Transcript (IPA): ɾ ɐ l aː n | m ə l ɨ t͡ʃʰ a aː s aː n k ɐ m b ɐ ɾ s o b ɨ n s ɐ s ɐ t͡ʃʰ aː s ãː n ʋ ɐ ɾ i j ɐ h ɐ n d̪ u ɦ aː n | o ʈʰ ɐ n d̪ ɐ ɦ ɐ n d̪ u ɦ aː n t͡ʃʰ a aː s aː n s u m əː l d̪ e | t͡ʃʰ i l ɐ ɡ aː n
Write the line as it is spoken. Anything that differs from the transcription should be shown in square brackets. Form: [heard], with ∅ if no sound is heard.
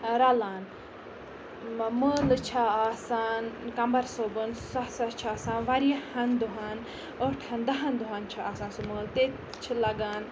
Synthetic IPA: ɾ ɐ l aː n | m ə l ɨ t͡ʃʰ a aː s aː n k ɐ m b ɐ ɾ s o b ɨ n s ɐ s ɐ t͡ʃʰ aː s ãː n ʋ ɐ ɾ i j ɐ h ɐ n d̪ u ɦ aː n | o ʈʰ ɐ n d̪ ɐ ɦ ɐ n d̪ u ɦ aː n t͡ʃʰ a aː s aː n s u m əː l [t̪] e | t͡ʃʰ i l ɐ ɡ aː n